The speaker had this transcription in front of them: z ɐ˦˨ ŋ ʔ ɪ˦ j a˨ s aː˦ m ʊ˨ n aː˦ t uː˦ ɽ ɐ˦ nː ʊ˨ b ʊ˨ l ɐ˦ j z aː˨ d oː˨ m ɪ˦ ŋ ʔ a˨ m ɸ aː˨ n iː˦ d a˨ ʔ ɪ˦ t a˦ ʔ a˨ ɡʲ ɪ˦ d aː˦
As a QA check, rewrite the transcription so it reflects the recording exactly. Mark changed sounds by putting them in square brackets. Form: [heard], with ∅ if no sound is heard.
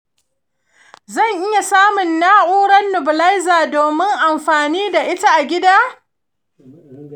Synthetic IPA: z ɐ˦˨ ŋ ʔ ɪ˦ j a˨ s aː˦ m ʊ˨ [nː] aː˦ [ʔ] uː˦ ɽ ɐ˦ nː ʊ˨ b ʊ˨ l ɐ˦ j z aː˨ d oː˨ m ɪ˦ ŋ ʔ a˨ m ɸ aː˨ n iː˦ d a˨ ʔ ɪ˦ t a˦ ʔ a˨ ɡʲ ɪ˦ d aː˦